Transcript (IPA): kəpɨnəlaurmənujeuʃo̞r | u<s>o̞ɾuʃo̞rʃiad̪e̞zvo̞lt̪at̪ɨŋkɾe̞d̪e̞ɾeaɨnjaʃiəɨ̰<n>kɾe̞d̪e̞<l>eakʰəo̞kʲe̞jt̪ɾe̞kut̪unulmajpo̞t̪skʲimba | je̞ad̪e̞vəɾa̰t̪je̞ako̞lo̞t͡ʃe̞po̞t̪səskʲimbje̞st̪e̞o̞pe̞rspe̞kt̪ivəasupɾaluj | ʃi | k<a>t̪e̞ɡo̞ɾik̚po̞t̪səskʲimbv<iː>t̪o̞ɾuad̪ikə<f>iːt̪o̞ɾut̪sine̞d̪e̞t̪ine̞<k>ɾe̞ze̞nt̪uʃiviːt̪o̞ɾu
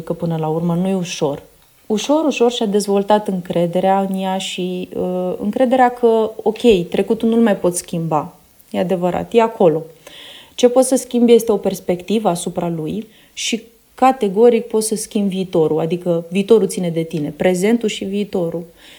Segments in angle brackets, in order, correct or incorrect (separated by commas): incorrect, incorrect, incorrect, correct, correct, incorrect, incorrect